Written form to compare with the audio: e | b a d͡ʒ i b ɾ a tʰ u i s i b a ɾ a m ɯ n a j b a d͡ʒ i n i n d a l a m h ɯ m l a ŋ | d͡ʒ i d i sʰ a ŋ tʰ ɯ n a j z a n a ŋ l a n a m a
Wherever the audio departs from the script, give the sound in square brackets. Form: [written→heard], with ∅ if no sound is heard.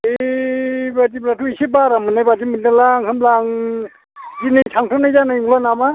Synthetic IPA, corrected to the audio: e | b a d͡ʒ i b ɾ a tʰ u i s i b a ɾ a m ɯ n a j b a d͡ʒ i [n→m] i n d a l a [m→ŋ] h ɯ m l a ŋ | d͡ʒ i [d→n] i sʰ a ŋ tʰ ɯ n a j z a n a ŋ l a n a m a